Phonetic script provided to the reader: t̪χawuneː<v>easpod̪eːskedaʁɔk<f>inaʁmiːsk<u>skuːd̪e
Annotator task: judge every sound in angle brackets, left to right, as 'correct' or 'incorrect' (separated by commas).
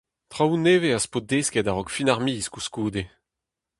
correct, correct, correct